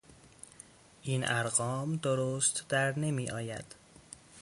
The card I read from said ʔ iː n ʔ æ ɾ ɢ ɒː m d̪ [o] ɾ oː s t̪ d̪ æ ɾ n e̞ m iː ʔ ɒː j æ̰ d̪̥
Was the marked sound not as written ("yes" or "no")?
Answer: no